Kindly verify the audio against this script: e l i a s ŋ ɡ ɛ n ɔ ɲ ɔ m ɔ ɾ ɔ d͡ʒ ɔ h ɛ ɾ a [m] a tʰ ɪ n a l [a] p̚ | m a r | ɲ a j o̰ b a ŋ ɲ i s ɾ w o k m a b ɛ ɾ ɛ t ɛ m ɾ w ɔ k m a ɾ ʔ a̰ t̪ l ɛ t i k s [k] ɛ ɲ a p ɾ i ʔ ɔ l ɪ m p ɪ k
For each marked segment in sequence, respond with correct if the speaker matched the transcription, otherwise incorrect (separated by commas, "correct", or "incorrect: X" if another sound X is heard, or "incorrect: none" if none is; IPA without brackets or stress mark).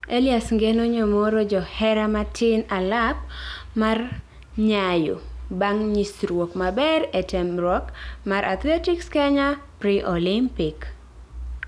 correct, correct, correct